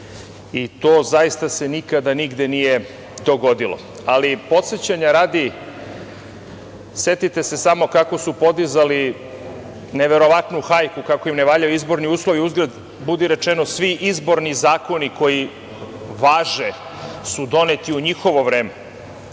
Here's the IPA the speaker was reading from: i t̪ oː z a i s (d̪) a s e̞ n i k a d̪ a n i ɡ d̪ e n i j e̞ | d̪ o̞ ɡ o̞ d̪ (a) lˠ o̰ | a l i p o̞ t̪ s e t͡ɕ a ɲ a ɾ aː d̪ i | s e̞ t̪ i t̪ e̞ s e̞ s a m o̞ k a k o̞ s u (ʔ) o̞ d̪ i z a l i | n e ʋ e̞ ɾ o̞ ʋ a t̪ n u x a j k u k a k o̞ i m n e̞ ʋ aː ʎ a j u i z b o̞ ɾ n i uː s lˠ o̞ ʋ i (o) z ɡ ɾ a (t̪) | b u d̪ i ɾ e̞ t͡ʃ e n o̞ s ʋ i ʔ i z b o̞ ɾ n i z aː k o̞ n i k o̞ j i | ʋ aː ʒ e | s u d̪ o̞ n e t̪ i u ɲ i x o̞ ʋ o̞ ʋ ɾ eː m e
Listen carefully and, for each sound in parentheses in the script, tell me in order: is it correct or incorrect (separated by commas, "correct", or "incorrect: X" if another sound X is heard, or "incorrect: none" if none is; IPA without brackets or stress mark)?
incorrect: t̪, incorrect: i, incorrect: p, incorrect: u, incorrect: d̪